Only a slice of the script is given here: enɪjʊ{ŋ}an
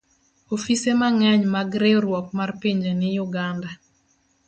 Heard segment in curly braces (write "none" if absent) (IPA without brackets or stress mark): ɡ